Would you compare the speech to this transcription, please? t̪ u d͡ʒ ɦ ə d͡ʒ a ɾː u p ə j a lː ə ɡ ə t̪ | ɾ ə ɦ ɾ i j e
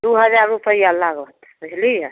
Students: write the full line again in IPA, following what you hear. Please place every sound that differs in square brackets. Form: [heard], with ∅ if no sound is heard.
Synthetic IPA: [d̪] u [∅] ɦ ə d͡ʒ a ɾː u p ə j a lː [a] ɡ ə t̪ | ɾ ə ɦ [l] i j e

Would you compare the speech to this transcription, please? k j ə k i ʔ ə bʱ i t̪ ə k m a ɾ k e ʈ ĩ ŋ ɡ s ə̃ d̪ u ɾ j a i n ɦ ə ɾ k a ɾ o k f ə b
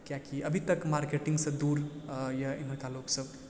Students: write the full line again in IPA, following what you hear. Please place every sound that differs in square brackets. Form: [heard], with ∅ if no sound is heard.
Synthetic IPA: k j [a] k i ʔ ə bʱ i t̪ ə k m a ɾ k e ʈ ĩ ŋ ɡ s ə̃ d̪ u ɾ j a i n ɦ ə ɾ k a [l] o k [s] ə b

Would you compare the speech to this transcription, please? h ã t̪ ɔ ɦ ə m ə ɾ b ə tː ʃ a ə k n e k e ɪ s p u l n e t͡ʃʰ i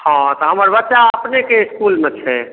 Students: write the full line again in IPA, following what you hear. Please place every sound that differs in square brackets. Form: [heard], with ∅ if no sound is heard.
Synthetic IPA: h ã t̪ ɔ ɦ ə m ə ɾ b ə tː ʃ a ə [p] n e k e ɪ s [k] u l [m] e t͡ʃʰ [ɛ]

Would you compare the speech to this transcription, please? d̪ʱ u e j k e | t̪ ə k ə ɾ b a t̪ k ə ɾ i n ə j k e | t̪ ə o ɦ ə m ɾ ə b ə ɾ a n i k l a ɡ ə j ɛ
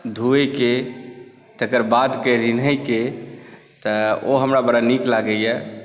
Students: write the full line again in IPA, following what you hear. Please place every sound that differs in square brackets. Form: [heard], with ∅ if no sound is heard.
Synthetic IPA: d̪ʱ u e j k e | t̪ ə k ə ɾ b a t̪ k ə ɾ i n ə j k e | t̪ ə o ɦ ə m ɾ [a] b ə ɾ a n i k l a ɡ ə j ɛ

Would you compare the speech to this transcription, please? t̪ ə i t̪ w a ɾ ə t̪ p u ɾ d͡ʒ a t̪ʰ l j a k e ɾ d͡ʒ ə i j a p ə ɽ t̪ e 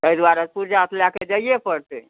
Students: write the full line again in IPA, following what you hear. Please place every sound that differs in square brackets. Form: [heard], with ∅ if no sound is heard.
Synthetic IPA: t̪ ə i [d̪] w a ɾ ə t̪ p u ɾ d͡ʒ a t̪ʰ l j a k e [∅] d͡ʒ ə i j [e] p ə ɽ t̪ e

